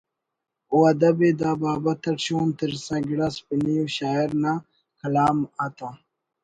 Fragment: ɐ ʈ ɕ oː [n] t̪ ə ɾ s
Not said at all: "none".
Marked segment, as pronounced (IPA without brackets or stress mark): n